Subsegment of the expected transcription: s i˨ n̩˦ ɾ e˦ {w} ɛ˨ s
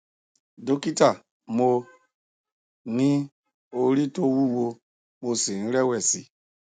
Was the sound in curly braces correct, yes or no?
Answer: yes